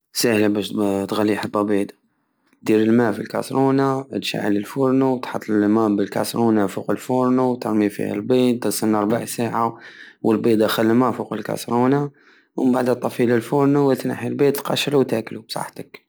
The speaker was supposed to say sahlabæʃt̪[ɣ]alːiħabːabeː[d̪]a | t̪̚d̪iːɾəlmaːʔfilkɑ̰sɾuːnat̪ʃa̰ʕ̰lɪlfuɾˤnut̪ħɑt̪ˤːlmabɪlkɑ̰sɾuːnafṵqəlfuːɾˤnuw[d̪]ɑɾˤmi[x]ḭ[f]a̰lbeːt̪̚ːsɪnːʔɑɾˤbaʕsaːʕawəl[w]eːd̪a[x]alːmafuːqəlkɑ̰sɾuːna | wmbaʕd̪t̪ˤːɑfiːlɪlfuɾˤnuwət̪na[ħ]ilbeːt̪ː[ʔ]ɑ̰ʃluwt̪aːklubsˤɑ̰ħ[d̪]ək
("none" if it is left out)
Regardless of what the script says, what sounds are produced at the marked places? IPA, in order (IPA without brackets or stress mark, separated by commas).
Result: ɣ, d̪, t̪, f, h, b, x, ħ, q, t̪